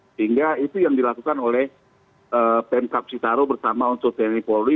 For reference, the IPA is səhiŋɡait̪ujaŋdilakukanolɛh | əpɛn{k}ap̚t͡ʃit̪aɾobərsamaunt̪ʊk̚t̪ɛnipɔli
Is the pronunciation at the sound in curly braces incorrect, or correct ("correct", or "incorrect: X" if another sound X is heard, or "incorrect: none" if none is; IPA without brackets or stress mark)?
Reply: correct